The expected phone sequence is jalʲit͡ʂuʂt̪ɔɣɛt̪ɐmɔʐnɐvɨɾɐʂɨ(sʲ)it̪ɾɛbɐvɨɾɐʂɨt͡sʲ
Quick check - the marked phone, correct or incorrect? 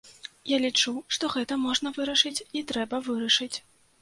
incorrect